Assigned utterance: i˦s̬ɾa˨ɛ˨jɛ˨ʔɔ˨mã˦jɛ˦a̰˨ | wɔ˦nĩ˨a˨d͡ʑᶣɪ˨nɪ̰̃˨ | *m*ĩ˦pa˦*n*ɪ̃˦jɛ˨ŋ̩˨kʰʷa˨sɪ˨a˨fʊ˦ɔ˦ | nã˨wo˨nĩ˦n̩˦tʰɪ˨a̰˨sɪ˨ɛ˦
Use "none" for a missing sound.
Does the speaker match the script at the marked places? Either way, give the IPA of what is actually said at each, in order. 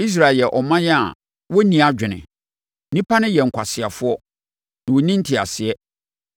n, n

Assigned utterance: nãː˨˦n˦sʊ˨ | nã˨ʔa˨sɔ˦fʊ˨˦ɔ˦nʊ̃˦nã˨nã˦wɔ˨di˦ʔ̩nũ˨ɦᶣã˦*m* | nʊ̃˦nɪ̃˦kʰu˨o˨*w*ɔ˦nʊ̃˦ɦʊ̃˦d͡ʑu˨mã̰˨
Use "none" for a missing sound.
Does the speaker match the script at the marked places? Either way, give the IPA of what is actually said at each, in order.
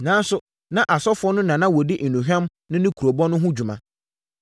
m, b

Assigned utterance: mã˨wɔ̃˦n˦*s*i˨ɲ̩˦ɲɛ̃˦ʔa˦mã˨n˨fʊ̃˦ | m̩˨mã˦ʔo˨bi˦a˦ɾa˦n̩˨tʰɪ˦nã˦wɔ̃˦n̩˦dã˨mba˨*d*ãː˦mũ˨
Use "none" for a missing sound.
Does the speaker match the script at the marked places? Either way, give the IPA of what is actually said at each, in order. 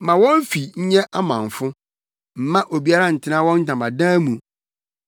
f, d

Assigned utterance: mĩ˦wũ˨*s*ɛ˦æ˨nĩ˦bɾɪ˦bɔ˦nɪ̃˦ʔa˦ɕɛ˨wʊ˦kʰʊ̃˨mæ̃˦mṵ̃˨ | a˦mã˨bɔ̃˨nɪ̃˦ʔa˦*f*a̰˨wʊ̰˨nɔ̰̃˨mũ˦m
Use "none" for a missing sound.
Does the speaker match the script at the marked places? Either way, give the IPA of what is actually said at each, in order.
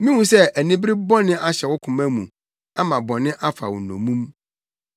s, f

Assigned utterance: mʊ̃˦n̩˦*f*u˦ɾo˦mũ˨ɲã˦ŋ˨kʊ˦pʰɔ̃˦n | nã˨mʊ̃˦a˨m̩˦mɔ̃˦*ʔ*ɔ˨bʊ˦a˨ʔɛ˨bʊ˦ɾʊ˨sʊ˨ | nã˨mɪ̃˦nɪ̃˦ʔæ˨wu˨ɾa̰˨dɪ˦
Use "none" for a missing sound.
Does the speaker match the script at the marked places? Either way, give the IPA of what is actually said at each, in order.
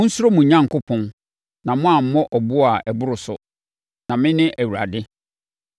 s, ʔ

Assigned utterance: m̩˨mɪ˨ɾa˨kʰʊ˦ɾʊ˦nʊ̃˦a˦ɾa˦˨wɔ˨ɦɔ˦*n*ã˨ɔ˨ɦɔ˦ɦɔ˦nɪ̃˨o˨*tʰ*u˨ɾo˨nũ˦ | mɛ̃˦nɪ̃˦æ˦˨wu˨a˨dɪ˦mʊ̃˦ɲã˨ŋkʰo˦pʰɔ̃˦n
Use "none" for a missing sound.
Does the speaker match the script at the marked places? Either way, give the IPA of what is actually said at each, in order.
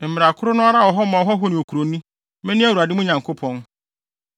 m, kʰ

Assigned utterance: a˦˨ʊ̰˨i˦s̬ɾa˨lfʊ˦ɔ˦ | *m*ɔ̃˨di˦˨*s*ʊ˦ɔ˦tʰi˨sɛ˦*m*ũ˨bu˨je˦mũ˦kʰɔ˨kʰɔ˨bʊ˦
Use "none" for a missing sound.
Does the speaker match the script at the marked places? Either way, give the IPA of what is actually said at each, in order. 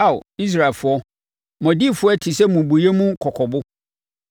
m, f, m

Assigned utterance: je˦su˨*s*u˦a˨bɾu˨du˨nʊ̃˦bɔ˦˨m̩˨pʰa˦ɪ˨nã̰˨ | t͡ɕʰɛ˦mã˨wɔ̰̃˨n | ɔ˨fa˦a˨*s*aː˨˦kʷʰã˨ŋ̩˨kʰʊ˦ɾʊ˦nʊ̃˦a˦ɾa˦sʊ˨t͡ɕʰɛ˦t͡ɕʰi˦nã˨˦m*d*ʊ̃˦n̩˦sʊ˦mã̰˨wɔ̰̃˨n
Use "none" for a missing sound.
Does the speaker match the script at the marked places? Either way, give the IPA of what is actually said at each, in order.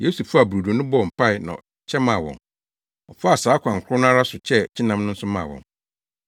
f, s, n

